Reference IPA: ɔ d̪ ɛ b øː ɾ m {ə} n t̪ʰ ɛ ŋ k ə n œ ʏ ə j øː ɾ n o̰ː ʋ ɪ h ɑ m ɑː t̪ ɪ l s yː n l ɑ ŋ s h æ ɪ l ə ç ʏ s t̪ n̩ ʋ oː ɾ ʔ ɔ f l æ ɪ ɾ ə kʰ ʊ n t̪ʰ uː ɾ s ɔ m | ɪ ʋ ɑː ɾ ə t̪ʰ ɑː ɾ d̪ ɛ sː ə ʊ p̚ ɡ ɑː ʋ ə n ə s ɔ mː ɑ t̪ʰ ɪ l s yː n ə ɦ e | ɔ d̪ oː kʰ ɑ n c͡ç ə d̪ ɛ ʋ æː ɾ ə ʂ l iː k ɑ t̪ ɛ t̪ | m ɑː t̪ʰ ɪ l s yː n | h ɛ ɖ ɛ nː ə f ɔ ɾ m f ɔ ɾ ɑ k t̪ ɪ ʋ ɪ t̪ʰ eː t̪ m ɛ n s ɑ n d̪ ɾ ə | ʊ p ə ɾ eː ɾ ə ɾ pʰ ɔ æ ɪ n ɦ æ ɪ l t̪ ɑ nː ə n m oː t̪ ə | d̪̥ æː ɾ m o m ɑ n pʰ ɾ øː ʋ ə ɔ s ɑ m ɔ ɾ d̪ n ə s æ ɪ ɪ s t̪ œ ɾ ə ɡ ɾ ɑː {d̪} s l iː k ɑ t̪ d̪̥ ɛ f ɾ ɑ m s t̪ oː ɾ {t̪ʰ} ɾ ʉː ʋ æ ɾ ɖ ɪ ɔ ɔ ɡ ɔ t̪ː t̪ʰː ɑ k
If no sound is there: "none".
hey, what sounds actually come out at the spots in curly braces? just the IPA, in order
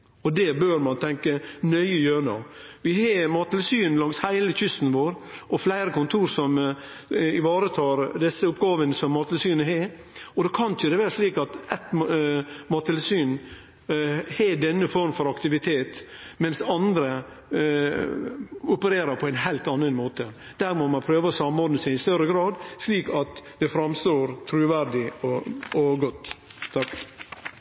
ɑ, d̪, t̪ʰ

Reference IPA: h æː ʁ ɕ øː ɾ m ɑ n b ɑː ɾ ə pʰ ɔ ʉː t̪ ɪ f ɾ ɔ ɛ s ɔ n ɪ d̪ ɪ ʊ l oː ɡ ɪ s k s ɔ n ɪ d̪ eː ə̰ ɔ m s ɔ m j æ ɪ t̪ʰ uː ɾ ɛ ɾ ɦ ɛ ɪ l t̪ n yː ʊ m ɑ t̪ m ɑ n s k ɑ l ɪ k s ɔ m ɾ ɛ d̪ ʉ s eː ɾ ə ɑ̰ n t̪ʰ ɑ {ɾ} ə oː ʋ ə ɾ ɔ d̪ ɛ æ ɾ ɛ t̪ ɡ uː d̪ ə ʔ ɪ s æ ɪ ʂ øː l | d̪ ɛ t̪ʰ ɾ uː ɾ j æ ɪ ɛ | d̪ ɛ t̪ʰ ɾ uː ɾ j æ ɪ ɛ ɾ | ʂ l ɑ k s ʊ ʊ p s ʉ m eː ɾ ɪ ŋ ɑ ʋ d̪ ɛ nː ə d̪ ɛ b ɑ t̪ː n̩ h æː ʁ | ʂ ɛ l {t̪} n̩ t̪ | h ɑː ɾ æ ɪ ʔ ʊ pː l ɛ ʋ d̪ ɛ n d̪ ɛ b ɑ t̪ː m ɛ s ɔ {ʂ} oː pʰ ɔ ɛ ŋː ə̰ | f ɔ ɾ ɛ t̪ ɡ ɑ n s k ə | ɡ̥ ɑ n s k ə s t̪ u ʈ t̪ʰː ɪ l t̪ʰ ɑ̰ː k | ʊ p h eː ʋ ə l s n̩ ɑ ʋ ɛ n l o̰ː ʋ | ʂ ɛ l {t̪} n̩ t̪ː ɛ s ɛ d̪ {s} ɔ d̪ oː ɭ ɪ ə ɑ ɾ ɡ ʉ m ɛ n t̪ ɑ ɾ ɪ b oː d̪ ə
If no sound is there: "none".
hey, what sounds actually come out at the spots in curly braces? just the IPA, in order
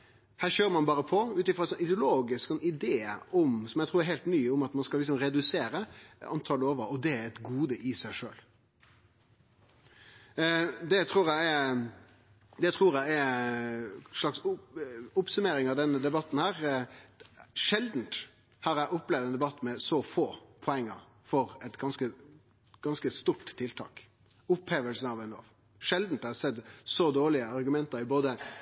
l, d̪, f, d̪, s

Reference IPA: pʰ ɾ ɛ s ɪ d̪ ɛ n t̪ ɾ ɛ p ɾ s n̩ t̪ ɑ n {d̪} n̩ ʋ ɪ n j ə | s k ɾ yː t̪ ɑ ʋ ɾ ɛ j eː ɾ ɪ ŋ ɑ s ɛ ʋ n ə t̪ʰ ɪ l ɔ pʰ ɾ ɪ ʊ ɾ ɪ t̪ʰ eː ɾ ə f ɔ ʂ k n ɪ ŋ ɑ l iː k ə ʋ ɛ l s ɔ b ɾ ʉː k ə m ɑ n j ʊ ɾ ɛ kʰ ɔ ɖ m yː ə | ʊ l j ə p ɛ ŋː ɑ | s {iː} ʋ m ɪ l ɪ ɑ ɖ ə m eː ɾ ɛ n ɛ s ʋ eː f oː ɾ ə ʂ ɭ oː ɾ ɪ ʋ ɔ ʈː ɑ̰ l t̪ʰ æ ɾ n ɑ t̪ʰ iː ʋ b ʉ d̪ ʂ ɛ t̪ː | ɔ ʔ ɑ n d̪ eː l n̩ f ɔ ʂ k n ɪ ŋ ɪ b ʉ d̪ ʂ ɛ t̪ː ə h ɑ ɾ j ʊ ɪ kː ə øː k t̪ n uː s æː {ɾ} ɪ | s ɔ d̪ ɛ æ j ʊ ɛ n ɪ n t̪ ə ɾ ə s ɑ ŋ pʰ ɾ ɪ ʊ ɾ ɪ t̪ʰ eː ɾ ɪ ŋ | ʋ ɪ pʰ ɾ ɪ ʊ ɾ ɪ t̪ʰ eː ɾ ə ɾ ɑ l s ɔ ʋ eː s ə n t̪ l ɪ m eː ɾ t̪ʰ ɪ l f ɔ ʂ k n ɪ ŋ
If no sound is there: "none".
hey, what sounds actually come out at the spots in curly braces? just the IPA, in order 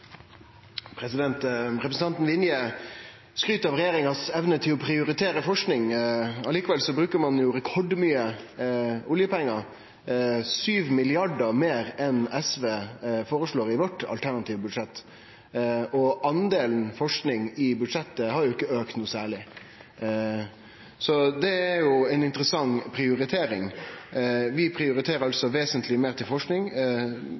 t̪, yː, ɭ

